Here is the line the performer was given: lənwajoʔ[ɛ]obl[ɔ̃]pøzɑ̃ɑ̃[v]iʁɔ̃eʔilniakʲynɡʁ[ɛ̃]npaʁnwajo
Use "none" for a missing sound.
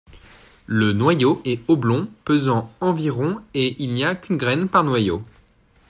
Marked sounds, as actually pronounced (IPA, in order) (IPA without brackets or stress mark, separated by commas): ɛ, ɔ̃, v, ɛ